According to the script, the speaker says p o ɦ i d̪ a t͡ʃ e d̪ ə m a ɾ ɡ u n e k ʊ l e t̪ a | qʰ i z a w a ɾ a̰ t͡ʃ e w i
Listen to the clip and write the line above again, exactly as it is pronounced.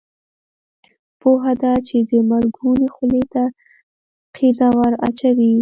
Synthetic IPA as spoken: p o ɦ a d̪ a t͡ʃ e d̪ ə m a ɾ ɡ u n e x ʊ l e t̪ a | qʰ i z a w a ɾ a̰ t͡ʃ a w i